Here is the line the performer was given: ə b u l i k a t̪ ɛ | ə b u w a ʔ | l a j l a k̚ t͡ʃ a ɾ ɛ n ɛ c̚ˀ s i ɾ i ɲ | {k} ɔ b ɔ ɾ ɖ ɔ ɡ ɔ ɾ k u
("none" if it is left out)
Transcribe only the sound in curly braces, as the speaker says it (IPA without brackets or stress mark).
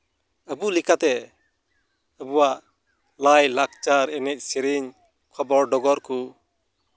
kʰ